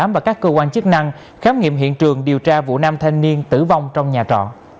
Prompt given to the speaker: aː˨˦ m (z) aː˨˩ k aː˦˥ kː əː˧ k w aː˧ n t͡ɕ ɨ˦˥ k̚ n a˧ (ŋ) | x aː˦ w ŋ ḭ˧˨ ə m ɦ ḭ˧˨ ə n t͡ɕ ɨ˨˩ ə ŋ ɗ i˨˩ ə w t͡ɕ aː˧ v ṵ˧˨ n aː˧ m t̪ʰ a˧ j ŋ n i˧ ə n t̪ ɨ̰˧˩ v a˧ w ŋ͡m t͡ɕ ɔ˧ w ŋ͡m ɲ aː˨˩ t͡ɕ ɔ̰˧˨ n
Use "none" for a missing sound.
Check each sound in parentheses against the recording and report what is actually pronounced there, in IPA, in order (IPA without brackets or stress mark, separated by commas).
v, ŋ